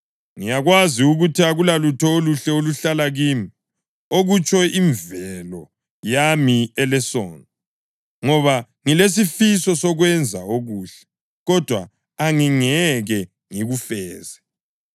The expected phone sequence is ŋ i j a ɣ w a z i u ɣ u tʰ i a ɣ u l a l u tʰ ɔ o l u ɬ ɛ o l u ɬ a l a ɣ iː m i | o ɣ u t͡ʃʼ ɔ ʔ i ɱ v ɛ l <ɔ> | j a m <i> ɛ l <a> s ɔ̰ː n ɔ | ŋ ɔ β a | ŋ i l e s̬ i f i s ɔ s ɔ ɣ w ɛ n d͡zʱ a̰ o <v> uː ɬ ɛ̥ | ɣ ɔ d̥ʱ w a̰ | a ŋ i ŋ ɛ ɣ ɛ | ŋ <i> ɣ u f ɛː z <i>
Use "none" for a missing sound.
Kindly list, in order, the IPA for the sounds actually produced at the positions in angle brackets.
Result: ɔ, i, ɛ, ɣ, i, ɛ

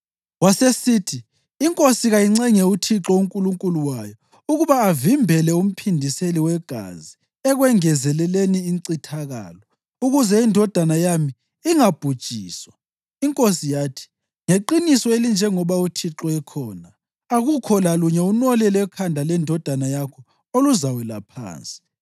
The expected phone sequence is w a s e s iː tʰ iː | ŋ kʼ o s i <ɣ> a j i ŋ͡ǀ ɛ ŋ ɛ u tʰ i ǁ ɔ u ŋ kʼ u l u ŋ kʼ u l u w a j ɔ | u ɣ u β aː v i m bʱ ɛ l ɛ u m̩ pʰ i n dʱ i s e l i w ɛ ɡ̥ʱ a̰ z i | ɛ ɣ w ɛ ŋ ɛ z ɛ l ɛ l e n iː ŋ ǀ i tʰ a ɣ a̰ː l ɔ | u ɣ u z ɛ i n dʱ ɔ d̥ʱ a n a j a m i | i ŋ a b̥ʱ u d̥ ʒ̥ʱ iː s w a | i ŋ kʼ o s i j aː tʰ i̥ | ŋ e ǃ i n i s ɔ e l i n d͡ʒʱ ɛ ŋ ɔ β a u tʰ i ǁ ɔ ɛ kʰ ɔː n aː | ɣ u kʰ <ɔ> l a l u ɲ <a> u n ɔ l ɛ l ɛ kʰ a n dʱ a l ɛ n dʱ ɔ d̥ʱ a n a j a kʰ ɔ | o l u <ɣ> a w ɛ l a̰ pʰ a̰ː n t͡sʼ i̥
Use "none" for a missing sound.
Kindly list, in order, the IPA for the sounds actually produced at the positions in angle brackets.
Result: ɣ, ɔ, ɛ, z

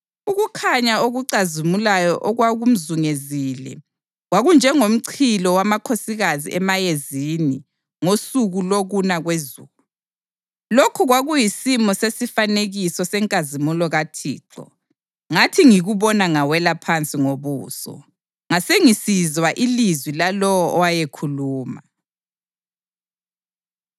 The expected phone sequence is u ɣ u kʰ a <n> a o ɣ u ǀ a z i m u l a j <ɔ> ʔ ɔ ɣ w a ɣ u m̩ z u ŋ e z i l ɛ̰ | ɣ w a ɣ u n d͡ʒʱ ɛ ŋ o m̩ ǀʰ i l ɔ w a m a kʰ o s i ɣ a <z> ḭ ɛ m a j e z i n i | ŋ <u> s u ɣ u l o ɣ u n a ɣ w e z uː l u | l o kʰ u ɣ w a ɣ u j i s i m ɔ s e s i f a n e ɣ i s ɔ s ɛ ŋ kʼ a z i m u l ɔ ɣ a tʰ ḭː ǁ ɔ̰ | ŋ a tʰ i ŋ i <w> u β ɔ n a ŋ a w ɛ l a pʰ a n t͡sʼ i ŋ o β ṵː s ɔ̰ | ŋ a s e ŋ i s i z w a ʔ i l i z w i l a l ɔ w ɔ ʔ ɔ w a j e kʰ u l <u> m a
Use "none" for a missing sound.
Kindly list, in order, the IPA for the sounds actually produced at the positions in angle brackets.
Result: ɲ, ɔ, z, o, ɣ, uː

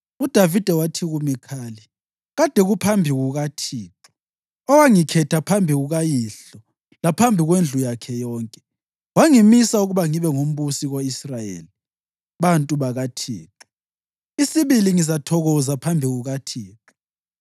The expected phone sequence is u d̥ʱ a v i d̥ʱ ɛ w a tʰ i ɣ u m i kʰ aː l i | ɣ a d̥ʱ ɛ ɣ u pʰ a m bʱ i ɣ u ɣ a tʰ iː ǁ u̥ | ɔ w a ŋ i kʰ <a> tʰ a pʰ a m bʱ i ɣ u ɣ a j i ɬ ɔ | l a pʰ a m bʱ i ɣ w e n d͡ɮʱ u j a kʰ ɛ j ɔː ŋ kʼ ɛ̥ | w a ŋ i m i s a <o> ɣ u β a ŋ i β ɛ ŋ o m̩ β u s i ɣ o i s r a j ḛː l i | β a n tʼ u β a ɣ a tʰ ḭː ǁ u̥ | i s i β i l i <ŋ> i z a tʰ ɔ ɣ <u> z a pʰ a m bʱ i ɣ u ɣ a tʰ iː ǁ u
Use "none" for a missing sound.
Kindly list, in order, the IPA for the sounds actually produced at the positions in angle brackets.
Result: ɛ, u, ŋ, ɔ

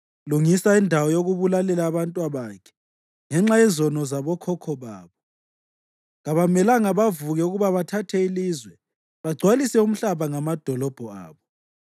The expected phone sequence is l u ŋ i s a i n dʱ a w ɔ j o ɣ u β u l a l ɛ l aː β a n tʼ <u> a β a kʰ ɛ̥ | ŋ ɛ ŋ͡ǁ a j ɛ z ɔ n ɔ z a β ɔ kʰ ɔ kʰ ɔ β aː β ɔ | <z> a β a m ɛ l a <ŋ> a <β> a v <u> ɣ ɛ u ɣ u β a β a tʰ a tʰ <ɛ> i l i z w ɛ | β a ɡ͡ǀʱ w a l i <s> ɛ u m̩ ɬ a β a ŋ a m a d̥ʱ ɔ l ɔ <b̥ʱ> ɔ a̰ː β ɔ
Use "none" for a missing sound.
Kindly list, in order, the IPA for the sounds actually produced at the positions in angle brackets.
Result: w, ɣ, ŋ, β, u, ɛ, s, b̥ʱ

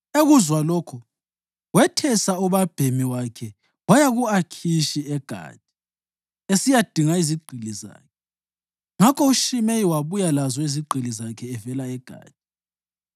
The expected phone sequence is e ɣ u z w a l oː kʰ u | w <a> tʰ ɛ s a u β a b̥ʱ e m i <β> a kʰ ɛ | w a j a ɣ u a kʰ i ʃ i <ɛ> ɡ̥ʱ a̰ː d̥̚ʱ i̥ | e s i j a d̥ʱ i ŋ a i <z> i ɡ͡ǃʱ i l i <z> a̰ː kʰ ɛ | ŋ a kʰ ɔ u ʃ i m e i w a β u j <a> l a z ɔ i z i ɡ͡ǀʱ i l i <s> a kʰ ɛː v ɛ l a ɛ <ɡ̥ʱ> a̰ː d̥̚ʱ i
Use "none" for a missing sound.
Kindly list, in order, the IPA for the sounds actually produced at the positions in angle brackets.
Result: ɛ, w, ɛ, z, z, a, z, ɡ̥ʱ

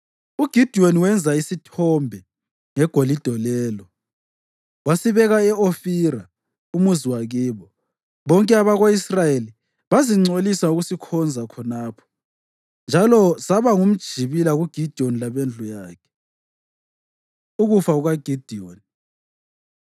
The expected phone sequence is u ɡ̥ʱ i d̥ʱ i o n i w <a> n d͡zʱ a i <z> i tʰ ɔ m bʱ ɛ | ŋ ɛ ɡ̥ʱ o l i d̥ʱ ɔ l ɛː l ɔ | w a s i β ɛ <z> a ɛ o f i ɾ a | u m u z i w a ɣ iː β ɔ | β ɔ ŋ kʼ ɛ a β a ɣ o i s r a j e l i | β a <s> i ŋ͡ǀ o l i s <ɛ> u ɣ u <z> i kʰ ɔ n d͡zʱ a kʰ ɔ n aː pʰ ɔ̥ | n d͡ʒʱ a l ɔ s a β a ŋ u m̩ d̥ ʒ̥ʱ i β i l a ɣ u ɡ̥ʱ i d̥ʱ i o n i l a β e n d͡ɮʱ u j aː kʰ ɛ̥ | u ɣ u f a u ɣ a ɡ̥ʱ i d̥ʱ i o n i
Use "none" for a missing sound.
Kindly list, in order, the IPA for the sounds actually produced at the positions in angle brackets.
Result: ɛ, s, ɣ, z, a, s

